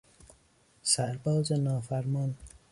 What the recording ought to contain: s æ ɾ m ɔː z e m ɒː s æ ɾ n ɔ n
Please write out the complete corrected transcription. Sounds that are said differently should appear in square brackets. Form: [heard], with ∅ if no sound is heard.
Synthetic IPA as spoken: s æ ɾ [b] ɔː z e [n] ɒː [f] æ ɾ [m] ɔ n